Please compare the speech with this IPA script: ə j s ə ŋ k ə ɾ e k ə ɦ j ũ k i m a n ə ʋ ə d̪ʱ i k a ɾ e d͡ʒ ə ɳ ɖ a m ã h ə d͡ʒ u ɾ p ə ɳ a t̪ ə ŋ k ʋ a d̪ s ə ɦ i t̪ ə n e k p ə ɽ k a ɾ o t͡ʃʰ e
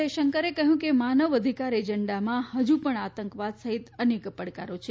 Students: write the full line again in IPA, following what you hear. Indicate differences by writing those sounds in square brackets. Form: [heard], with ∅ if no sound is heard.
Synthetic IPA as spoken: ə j [ʃ] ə ŋ k ə ɾ e k ə ɦ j ũ k [e] m a n ə ʋ ə d̪ʱ i k a ɾ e d͡ʒ ə ɳ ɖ a m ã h ə d͡ʒ u [∅] p ə ɳ a t̪ ə ŋ k ʋ a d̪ s ə ɦ i t̪ ə n e k p ə ɽ k a ɾ o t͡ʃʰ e